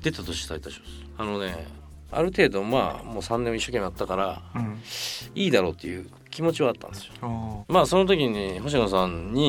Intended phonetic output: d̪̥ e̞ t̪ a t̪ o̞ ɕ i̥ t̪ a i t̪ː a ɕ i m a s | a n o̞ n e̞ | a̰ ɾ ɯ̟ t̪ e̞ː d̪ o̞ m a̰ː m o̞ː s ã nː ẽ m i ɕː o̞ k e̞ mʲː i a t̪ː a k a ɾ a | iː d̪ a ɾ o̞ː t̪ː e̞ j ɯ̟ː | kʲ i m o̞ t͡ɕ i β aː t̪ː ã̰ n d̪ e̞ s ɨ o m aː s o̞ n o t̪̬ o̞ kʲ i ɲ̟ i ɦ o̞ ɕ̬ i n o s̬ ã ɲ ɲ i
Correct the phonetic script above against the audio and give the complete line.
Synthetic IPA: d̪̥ e̞ t̪ a t̪ o̞ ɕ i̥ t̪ a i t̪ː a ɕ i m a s | a n o̞ n e̞ | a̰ ɾ ɯ̟ t̪ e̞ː d̪ o̞ m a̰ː m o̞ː s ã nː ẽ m i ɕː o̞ k e̞ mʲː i a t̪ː a k a ɾ a | iː d̪ a ɾ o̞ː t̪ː e̞ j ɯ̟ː | kʲ i m o̞ t͡ɕ i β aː t̪ː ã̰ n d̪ e̞ s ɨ o m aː s o̞ n o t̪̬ o̞ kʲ i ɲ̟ i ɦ o̞ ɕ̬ i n o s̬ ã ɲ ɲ i